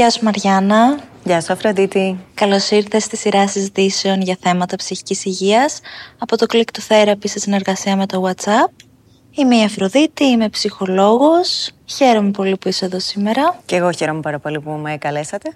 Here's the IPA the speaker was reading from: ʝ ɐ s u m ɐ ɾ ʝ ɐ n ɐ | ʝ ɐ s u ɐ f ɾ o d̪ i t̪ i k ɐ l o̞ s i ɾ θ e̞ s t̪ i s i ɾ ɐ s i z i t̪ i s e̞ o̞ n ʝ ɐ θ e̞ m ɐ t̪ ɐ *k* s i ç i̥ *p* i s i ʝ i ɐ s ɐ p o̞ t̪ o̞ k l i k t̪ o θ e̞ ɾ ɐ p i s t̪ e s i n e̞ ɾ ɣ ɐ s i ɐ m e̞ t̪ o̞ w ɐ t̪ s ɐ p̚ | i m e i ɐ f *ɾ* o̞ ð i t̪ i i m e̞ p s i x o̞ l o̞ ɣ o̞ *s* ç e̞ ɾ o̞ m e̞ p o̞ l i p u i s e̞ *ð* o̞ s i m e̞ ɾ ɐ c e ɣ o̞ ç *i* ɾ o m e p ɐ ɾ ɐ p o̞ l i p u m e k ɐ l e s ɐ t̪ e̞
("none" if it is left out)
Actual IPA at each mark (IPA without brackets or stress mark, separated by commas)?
p, c, ɾ, s, ð, e